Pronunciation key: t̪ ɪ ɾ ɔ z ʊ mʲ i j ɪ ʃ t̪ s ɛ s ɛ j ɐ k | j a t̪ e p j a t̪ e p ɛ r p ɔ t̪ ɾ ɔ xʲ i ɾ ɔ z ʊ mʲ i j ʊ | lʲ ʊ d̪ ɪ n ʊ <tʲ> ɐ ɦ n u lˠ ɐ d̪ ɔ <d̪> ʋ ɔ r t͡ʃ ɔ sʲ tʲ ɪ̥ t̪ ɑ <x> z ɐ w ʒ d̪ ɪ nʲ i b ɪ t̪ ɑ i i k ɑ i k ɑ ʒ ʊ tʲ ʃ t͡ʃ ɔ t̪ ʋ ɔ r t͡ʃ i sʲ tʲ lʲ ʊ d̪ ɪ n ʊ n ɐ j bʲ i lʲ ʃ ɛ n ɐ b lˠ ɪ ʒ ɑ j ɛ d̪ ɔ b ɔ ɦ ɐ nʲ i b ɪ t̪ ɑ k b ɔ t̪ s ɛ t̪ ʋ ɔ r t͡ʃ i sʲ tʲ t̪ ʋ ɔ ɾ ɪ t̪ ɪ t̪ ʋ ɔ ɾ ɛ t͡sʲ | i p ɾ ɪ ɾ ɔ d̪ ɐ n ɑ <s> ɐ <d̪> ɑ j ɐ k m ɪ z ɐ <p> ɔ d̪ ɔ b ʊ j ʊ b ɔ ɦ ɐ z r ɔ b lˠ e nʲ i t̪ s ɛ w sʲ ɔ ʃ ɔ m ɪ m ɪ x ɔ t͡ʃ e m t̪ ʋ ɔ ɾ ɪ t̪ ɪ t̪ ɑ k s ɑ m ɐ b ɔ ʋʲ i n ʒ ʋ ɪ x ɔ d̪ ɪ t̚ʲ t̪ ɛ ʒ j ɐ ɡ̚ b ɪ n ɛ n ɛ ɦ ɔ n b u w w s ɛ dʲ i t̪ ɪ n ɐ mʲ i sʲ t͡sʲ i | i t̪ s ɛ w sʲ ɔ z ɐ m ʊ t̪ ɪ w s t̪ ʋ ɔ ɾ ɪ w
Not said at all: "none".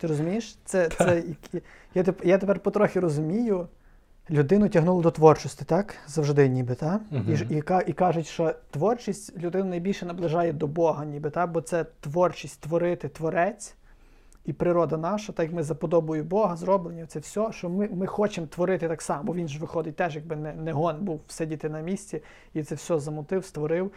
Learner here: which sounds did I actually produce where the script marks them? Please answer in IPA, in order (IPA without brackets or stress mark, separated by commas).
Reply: tʲ, t̪, k, ʃ, t̪, p